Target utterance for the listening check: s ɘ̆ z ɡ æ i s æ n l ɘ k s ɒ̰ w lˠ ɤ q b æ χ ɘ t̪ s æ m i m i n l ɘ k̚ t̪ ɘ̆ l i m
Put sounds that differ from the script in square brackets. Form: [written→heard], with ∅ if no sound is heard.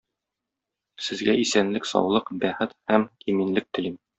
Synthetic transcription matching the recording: s ɘ̆ z ɡ æ i s æ n l ɘ k s ɒ̰ w lˠ ɤ q b æ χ ɘ t̪ [s→h] æ m i m i n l ɘ k̚ t̪ ɘ̆ l i m